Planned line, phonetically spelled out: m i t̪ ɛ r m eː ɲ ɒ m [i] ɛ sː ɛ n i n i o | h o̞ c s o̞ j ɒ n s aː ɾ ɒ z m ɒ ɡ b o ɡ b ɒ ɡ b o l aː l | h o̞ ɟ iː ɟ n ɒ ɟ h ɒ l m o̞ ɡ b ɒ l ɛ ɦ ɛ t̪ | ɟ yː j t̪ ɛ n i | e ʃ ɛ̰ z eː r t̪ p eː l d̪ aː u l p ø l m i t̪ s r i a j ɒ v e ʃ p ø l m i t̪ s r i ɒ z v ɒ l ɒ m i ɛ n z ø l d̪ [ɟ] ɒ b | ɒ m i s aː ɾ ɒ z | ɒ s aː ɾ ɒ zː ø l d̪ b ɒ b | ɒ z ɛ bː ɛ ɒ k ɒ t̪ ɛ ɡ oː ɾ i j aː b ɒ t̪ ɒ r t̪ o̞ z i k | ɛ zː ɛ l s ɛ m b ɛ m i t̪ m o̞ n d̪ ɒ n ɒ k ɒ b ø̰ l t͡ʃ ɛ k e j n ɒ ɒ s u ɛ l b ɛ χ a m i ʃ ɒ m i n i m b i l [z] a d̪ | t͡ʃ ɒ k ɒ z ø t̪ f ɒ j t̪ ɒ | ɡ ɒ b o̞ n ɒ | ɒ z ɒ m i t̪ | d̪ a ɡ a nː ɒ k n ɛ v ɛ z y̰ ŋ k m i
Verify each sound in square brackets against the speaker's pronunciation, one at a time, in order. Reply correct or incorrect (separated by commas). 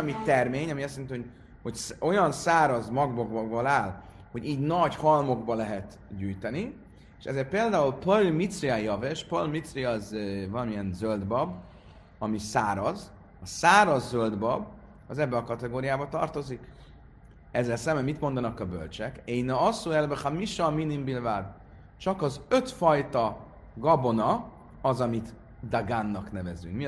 correct, incorrect, incorrect